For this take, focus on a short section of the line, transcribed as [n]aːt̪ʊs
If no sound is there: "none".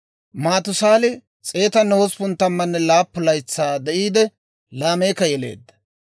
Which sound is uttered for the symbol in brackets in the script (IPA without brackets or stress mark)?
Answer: m